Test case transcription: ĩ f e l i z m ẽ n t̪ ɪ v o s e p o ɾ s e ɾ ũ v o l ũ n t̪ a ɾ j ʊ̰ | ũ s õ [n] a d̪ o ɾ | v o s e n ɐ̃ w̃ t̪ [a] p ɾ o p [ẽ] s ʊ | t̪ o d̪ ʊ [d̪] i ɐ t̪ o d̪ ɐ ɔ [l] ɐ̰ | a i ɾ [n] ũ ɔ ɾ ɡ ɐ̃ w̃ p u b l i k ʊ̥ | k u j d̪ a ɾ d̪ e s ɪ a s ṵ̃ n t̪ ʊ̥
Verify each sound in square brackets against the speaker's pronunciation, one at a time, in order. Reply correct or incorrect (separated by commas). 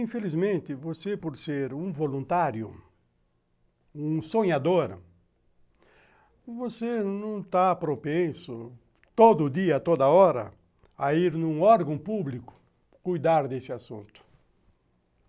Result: incorrect, correct, correct, correct, incorrect, correct